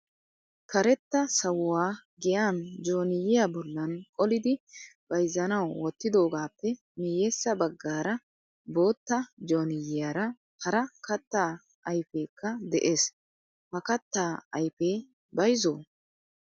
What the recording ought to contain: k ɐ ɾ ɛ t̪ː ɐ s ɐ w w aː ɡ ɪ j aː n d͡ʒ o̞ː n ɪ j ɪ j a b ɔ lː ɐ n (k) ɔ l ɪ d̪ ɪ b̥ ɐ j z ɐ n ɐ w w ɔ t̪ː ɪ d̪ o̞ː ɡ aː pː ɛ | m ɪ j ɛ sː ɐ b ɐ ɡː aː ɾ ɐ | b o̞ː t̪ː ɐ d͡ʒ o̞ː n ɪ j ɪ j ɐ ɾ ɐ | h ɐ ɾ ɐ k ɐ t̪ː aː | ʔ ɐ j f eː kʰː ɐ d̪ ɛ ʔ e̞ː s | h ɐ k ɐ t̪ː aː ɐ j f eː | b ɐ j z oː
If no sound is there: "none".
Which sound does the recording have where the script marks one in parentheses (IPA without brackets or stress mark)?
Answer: kʼ